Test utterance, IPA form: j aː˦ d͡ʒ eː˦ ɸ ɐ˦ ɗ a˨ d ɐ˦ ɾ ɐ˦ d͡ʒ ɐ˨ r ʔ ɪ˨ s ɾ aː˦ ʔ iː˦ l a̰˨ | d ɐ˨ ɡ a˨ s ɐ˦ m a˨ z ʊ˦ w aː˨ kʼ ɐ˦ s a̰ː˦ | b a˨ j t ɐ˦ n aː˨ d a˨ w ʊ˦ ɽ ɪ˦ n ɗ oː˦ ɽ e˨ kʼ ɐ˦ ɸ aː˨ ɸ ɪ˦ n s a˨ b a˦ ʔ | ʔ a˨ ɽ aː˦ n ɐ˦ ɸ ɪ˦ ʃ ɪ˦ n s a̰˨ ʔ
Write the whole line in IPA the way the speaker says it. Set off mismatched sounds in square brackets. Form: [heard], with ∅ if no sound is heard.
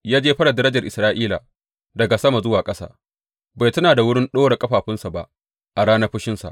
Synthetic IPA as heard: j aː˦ d͡ʒ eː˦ ɸ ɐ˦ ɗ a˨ d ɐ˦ ɾ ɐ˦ d͡ʒ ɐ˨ r ʔ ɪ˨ s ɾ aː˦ ʔ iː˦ l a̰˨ | d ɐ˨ ɡ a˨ s ɐ˦ m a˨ z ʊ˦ w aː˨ kʼ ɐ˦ s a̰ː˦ | b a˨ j t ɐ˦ n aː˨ d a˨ w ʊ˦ ɽ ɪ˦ n ɗ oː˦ ɽ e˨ kʼ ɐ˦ ɸ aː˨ ɸ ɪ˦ n s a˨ b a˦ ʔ | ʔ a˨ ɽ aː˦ n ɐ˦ ɸ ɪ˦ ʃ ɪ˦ n s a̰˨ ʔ